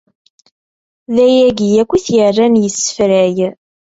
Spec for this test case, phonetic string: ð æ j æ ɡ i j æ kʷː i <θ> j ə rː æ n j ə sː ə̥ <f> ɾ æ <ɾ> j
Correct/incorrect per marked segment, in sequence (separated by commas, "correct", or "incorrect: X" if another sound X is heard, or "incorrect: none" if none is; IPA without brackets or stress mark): correct, correct, incorrect: none